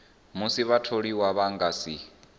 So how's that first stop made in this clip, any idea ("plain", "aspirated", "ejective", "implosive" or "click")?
aspirated